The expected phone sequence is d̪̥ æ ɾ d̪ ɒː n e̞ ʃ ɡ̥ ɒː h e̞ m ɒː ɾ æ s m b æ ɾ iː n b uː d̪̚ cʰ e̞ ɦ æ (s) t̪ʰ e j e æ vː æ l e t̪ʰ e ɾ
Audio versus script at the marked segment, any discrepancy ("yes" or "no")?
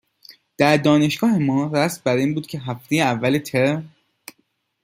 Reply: yes